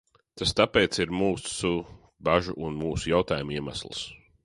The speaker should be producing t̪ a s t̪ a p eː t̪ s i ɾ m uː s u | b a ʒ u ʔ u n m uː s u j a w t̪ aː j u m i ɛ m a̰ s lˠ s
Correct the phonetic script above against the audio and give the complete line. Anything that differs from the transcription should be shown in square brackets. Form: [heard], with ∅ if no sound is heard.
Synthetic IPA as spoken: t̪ a s t̪ a p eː t̪ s i ɾ m uː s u | b a ʒ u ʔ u n m uː s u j a w t̪ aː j u m i ɛ m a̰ s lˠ s